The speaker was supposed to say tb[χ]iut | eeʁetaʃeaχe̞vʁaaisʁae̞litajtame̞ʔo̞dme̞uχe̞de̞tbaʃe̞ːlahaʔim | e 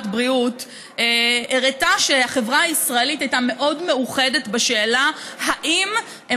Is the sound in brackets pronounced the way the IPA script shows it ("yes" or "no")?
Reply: no